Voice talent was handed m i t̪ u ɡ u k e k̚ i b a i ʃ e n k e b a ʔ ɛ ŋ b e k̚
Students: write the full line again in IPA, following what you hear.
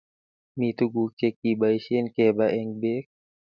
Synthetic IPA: m i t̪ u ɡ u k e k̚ i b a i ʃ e n k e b a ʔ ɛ ŋ b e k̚